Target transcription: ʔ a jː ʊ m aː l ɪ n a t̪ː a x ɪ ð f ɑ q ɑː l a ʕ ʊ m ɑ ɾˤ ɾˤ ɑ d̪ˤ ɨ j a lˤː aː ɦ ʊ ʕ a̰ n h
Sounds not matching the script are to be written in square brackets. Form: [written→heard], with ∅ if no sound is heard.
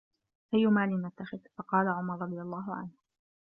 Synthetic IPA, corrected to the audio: ʔ a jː ʊ m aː l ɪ n a t̪ː a x ɪ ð f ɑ q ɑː l a ʕ ʊ m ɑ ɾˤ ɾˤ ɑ d̪ˤ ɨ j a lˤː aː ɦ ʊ ʕ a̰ n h